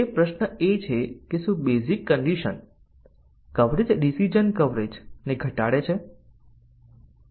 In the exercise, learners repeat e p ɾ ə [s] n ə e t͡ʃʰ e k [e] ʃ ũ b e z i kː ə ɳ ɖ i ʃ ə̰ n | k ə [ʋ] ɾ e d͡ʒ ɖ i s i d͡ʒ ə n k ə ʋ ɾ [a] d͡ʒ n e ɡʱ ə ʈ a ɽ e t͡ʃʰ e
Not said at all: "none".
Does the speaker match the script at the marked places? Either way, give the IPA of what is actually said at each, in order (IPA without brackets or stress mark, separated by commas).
ʃ, e, ʋ, e